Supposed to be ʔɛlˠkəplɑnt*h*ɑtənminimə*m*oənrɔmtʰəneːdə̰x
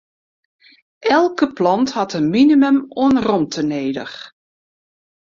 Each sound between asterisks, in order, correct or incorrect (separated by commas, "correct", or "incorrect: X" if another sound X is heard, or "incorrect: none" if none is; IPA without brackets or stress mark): correct, correct